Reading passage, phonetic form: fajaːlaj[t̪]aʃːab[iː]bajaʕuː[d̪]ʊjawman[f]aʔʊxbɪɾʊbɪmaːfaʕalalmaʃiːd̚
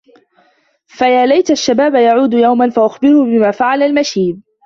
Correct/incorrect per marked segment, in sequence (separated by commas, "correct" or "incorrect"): correct, incorrect, correct, correct